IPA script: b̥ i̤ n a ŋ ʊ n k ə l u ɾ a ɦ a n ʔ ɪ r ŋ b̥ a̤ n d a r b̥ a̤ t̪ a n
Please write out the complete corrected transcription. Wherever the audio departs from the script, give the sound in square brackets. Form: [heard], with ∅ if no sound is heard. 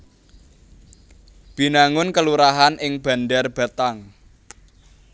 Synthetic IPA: b̥ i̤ n a ŋ ʊ n k ə l u ɾ a ɦ a n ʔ ɪ [∅] ŋ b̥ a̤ n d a r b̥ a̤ t̪ a [ŋ]